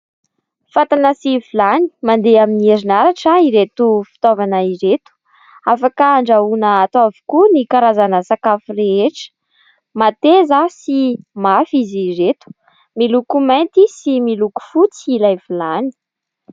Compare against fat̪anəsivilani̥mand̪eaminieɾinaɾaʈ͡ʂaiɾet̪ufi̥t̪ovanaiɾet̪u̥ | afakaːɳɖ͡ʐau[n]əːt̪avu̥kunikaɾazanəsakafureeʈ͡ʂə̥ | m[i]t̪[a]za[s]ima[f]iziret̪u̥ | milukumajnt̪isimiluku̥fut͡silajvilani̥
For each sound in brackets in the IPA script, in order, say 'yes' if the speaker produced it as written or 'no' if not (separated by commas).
yes, no, no, yes, yes